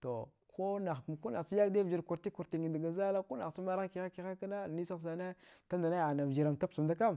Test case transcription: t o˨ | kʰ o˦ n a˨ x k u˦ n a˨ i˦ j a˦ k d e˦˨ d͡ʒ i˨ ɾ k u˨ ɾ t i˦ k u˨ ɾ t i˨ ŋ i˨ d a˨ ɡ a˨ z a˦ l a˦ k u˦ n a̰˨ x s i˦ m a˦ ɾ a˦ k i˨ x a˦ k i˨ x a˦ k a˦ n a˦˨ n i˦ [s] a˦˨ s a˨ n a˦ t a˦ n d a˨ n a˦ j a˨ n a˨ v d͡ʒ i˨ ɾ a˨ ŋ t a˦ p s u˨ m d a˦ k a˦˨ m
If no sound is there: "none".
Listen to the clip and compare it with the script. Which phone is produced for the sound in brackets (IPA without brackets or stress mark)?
s